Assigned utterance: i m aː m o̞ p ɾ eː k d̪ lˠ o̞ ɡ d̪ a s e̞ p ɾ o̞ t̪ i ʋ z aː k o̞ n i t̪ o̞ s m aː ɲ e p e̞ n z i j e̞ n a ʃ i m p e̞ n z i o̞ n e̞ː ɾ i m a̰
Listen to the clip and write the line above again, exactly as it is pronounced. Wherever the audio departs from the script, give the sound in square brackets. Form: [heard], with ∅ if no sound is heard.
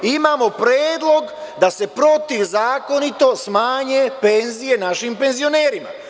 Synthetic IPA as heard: i m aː m o̞ p ɾ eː [∅] d̪ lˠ o̞ ɡ d̪ a s e̞ p ɾ o̞ t̪ i ʋ z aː k o̞ n i t̪ o̞ s m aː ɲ e p e̞ n z i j e̞ n a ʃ i m p e̞ n z i o̞ n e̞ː ɾ i m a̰